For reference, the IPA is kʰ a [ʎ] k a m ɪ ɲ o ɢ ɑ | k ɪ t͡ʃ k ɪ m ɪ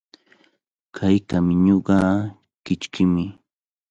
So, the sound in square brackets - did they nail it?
no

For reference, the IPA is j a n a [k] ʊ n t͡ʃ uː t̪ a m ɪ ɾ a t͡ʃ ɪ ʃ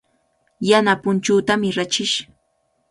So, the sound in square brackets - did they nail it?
no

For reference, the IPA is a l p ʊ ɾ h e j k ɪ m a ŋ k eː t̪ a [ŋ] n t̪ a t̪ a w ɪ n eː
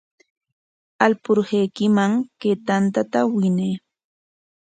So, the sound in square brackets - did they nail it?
no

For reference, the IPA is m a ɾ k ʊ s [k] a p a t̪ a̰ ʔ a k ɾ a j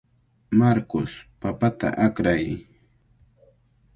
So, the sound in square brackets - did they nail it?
no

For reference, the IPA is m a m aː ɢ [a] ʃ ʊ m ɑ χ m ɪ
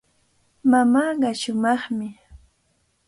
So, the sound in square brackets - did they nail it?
no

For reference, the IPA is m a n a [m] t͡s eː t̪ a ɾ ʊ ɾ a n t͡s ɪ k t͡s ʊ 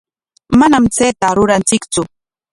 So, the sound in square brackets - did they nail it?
yes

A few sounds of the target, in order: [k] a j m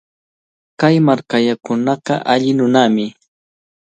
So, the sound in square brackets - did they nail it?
yes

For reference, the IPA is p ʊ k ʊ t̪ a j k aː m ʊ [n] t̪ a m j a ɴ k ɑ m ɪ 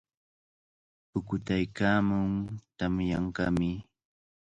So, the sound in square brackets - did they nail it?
no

